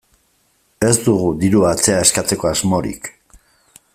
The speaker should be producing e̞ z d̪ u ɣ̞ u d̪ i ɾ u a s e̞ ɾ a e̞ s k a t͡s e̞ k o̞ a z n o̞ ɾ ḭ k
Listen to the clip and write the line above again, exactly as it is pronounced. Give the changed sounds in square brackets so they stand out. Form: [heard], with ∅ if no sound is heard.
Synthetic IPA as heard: e̞ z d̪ u ɣ̞ u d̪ i ɾ u a [t͡s] e̞ [∅] a e̞ s k a t͡s e̞ k o̞ a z [m] o̞ ɾ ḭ k